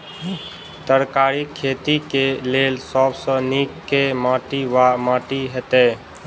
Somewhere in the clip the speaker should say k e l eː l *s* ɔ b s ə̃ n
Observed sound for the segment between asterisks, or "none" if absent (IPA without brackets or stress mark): s